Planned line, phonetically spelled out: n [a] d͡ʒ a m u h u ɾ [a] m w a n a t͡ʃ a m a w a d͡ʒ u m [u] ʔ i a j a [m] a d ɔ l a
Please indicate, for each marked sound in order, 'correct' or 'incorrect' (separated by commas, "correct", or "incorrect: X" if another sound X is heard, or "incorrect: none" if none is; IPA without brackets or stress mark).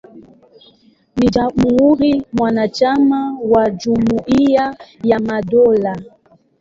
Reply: incorrect: i, incorrect: i, correct, correct